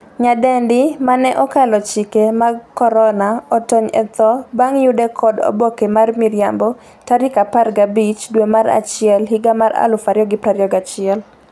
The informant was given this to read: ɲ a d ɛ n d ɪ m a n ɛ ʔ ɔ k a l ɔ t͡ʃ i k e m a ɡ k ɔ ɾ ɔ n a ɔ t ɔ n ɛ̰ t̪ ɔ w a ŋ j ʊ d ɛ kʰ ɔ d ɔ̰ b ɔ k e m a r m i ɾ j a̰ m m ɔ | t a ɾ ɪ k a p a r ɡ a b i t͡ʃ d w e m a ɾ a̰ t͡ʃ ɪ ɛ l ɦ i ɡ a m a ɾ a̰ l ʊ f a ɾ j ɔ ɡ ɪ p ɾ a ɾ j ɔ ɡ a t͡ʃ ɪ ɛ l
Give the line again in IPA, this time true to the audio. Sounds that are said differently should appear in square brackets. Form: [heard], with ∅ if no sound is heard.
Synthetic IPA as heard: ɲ a d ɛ n d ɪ m a n ɛ ʔ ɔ k a l ɔ t͡ʃ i k e m a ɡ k ɔ ɾ ɔ n a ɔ t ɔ [ɲ] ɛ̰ t̪ ɔ [b] a ŋ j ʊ d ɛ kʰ ɔ d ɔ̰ b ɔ k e m a r m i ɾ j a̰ m [b] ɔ | t a ɾ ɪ k a p a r ɡ a b i t͡ʃ d w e m a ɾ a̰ t͡ʃ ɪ ɛ l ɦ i ɡ a m a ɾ a̰ l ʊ f a ɾ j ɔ ɡ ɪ p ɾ a ɾ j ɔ ɡ a t͡ʃ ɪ ɛ l